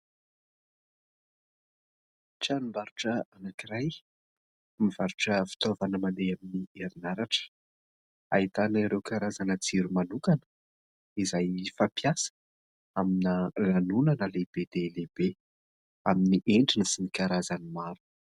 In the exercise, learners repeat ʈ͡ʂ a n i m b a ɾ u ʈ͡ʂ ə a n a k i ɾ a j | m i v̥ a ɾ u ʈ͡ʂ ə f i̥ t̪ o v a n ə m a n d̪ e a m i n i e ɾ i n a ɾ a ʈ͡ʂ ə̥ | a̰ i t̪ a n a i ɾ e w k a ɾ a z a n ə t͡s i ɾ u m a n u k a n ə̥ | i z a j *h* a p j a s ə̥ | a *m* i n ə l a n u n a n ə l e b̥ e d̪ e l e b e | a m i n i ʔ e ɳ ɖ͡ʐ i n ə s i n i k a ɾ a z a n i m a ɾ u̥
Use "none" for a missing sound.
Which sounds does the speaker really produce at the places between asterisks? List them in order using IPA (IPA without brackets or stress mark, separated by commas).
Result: f, m